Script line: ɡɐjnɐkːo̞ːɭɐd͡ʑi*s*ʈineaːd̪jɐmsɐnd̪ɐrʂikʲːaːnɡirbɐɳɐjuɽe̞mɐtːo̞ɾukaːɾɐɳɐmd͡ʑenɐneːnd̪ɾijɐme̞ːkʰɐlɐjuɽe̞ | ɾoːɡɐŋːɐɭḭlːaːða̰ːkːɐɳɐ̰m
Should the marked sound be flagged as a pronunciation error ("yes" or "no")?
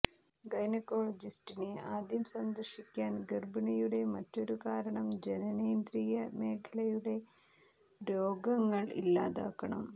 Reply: no